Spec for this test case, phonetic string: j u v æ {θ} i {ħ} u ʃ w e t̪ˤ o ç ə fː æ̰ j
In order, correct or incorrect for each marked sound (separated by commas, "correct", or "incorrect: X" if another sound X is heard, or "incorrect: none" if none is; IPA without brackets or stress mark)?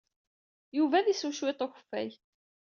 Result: incorrect: ð, incorrect: s